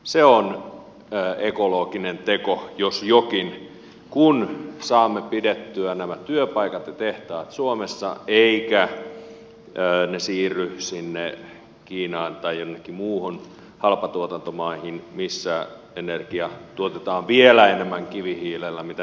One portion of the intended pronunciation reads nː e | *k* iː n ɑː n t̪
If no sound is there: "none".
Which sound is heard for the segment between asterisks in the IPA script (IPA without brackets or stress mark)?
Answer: k